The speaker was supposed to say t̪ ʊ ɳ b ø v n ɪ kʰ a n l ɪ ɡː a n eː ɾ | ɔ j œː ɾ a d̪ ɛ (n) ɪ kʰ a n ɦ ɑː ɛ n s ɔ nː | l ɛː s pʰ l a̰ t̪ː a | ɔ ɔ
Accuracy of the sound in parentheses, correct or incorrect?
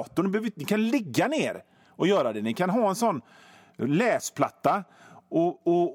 correct